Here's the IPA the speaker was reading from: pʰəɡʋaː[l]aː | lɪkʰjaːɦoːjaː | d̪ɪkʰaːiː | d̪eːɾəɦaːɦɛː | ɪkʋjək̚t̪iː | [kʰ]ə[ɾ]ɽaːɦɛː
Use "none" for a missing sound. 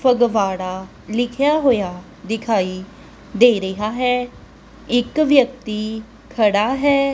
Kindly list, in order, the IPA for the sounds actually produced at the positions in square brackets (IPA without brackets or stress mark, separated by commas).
ɽ, kʰ, none